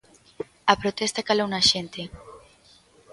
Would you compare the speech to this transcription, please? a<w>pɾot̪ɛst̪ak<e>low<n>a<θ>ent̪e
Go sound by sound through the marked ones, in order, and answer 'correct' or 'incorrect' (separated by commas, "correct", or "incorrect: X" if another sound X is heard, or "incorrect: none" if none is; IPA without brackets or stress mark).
incorrect: none, incorrect: a, correct, incorrect: ʃ